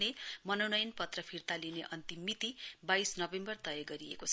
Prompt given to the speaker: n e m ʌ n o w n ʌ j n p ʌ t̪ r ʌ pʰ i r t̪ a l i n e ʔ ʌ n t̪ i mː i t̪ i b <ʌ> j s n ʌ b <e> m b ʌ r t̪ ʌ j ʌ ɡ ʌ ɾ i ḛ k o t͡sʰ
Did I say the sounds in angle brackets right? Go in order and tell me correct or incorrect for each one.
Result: incorrect: a, correct

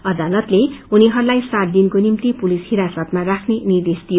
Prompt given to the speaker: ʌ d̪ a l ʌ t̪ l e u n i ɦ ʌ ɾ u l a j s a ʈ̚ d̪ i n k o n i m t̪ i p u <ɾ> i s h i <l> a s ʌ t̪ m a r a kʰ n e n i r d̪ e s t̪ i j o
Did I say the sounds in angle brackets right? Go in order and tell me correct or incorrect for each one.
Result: incorrect: l, incorrect: ɾ

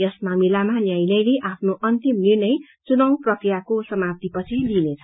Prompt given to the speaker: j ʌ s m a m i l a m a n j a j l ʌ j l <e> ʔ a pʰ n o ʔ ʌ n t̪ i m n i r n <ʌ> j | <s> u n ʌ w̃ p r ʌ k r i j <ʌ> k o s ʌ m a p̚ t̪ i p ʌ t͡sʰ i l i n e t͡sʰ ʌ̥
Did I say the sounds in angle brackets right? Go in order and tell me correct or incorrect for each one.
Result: correct, correct, incorrect: t͡s, incorrect: a

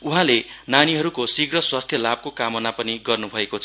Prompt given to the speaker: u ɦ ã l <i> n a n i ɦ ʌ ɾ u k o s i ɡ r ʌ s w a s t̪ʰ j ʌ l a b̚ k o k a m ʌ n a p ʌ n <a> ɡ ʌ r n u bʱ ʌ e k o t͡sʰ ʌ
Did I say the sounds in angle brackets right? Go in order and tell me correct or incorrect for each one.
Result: incorrect: e, incorrect: i

